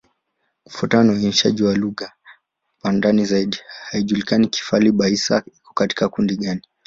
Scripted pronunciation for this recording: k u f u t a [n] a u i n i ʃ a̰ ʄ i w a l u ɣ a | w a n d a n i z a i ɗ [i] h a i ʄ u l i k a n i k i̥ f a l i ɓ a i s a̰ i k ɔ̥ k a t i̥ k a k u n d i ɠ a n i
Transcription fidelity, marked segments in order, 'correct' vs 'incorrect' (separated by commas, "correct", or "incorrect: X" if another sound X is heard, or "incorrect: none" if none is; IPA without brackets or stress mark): correct, correct